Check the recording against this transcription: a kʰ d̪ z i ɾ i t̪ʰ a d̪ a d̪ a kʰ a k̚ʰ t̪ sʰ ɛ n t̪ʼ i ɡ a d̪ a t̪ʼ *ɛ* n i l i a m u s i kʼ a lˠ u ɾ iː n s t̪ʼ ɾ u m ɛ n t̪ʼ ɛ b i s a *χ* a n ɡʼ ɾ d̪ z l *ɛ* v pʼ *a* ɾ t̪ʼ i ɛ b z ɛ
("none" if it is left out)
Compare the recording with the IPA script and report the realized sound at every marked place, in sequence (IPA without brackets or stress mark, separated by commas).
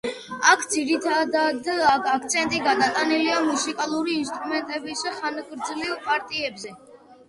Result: a, χ, i, a